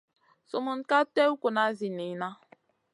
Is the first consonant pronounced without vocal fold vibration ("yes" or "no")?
yes